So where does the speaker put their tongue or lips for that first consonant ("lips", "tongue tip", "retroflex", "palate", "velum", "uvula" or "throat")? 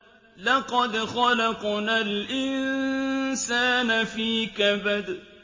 tongue tip